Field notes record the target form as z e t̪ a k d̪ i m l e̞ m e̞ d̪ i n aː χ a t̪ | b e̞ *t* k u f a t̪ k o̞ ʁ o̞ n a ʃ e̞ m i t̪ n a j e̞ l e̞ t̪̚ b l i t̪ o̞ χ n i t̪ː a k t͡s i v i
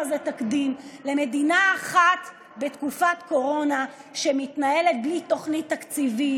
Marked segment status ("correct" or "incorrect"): correct